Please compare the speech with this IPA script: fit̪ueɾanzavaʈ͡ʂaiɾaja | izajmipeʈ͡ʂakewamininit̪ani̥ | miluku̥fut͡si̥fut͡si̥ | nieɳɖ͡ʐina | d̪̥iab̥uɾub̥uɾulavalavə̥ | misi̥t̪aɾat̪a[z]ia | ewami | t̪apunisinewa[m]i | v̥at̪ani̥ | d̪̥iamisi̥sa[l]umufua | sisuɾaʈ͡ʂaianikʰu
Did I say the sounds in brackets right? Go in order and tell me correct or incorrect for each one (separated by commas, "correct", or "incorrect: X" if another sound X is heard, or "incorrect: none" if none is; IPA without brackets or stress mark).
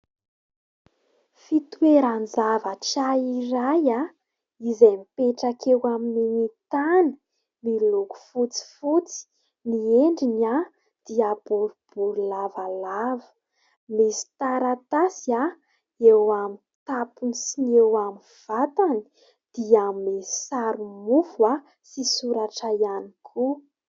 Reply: incorrect: s, correct, incorrect: ɾ